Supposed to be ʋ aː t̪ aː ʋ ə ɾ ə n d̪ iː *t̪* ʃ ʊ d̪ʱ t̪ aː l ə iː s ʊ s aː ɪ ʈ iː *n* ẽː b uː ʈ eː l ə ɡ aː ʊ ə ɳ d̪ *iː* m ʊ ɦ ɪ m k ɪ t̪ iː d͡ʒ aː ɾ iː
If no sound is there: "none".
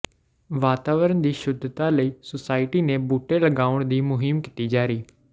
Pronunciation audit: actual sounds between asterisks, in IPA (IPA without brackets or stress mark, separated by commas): none, n, iː